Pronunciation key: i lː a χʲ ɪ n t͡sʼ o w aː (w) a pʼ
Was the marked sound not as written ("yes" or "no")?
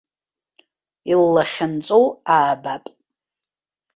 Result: yes